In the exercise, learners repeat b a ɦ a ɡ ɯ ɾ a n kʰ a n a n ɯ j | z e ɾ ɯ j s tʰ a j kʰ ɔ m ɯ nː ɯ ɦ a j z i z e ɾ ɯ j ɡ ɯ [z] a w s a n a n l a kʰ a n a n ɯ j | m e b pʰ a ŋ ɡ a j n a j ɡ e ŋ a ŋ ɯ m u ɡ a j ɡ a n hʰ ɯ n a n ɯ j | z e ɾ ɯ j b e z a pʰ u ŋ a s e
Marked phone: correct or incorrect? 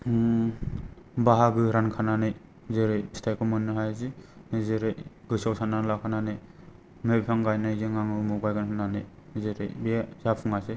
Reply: incorrect